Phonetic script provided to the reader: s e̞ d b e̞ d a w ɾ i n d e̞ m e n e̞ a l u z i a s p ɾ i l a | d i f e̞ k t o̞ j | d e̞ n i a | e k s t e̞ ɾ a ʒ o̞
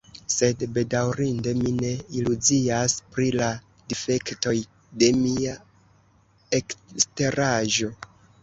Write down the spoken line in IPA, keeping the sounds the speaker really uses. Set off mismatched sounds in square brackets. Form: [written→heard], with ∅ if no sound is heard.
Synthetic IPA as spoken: s e̞ d b e̞ d a w ɾ i n d e̞ m [e→i] n e̞ [a→i] l u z i a s p ɾ i l a | d i f e̞ k t o̞ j | d e̞ [n→m] i a | e k s t e̞ ɾ a ʒ o̞

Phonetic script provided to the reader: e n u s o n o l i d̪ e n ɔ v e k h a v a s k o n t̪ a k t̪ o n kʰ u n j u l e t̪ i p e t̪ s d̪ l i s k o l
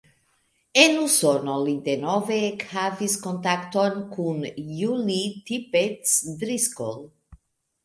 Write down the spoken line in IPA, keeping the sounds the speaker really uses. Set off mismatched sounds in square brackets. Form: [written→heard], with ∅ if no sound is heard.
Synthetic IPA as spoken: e n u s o n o l i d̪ e n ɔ v e k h a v [a→i] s k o n t̪ a k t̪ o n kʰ u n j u l [e→i] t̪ i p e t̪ s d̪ [l→ɾ] i s k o l

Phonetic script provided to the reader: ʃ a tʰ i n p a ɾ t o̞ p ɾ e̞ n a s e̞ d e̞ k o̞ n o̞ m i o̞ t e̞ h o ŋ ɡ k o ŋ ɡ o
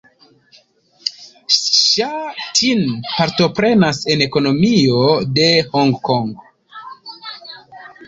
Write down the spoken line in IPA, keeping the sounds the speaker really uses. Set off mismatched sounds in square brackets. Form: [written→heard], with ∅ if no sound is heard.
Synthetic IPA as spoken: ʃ a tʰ i n p a ɾ t o̞ p ɾ e̞ n a s e̞ [d→n] e̞ k o̞ n o̞ m i o̞ [t→d] e̞ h o ŋ ɡ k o ŋ ɡ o

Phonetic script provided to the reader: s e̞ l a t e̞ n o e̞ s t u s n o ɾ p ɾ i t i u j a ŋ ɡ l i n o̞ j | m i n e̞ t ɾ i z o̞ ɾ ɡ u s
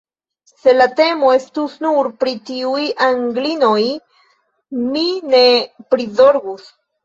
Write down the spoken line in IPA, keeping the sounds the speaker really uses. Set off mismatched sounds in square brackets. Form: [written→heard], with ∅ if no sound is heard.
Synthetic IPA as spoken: s e̞ l a t e̞ [n→m] o e̞ s t u s n [o→u] ɾ p ɾ i t i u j a ŋ ɡ l i n o̞ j | m i n e̞ [t→p] ɾ i z o̞ ɾ ɡ u s

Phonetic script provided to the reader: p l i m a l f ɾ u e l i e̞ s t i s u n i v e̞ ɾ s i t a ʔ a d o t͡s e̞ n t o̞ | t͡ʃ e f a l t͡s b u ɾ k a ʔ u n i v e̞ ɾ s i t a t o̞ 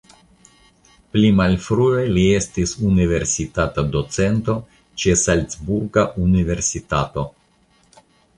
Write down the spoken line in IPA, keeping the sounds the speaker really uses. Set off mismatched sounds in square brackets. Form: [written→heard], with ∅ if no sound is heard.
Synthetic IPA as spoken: p l i m a l f ɾ u e l i e̞ s t i s u n i v e̞ ɾ s i t a [ʔ→t] a d o t͡s e̞ n t o̞ | t͡ʃ e [f→s] a l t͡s b u ɾ [k→ɡ] a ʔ u n i v e̞ ɾ s i t a t o̞

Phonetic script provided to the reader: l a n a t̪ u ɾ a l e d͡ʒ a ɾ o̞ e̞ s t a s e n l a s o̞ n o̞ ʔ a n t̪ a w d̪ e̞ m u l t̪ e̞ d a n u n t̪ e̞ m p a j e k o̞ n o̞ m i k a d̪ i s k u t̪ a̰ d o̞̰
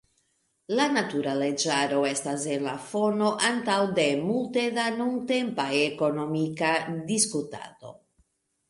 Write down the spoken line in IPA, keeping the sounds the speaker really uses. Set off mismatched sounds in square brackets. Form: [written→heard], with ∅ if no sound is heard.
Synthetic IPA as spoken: l a n a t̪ u ɾ a l e d͡ʒ a ɾ o̞ e̞ s t a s e n l a [s→f] o̞ n o̞ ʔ a n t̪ a w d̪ e̞ m u l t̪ e̞ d a n u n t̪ e̞ m p a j e k o̞ n o̞ m i k a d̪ i s k u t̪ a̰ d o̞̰

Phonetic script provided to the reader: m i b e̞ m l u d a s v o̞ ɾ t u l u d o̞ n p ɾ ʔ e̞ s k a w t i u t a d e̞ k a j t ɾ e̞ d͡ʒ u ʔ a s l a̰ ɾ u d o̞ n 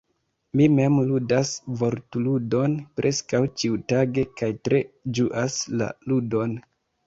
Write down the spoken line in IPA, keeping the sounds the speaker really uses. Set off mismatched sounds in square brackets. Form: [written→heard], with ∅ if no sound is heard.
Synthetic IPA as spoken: m i [b→m] e̞ m l u d a s v o̞ ɾ t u l u d o̞ n p ɾ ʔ e̞ s k a w [t→t͡ʃ] i u t a [d→ɡ] e̞ k a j t ɾ e̞ d͡ʒ u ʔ a s l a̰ [ɾ→l] u d o̞ n

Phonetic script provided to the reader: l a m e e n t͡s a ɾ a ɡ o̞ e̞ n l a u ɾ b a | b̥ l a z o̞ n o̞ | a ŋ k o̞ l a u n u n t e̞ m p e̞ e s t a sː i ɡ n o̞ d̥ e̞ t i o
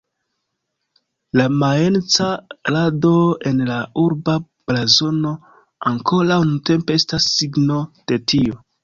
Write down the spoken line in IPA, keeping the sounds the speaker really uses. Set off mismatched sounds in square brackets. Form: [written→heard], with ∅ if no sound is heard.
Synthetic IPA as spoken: l a m [e→a] e n t͡s a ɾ a [ɡ→d] o̞ e̞ n l a u ɾ b a | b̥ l a z o̞ n o̞ | a ŋ k o̞ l a [u→w] n u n t e̞ m p e̞ e s t a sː i ɡ n o̞ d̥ e̞ t i o

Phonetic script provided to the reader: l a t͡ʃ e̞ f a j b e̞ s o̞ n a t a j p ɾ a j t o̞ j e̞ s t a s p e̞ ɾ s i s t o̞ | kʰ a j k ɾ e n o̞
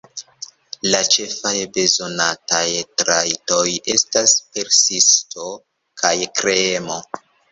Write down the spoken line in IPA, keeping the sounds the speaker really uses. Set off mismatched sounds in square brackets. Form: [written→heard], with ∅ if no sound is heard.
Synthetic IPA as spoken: l a t͡ʃ e̞ f a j b e̞ [s→z] o̞ n a t a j [p→t] ɾ a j t o̞ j e̞ s t a s p e̞ ɾ s i s t o̞ | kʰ a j k ɾ e [n→m] o̞

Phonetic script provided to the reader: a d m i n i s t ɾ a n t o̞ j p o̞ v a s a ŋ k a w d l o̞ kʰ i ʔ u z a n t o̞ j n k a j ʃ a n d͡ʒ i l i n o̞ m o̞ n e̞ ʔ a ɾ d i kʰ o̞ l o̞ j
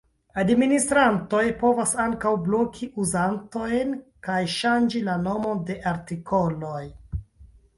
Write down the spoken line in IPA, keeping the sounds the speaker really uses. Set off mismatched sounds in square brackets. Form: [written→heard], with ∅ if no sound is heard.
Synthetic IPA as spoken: a d m i n i s t ɾ a n t o̞ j p o̞ v a s a ŋ k a w [d→b] l o̞ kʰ i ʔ u z a n t o̞ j n k a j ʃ a n d͡ʒ i l [i→a] n o̞ m o̞ [n→d] e̞ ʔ a ɾ [d→t] i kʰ o̞ l o̞ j

